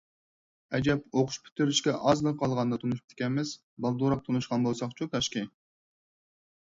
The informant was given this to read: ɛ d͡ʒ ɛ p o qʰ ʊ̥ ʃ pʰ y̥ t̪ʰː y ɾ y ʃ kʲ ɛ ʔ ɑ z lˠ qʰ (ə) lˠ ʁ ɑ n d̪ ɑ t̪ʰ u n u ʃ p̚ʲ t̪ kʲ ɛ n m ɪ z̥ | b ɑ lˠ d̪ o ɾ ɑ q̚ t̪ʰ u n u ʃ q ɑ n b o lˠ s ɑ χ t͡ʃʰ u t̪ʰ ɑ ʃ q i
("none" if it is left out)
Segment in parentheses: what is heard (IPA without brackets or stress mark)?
ɑ